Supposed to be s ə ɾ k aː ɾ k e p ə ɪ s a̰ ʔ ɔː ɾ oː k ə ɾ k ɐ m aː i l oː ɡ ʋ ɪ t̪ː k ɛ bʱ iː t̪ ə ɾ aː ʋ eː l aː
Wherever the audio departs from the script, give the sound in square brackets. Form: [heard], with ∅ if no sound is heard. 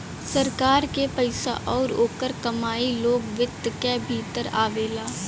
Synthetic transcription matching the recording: s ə ɾ k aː ɾ k e p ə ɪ s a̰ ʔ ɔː ɾ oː k ə ɾ k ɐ m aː i l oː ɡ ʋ ɪ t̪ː k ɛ bʱ iː t̪ ə ɾ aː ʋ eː l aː